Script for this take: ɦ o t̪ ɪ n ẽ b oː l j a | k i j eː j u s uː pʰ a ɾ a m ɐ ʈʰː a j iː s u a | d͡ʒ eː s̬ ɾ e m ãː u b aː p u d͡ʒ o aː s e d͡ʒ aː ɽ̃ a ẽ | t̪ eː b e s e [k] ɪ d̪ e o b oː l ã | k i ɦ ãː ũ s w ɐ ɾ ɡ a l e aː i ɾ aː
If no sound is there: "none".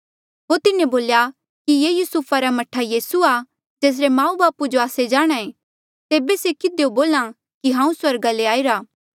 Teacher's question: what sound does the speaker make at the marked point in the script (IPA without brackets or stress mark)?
k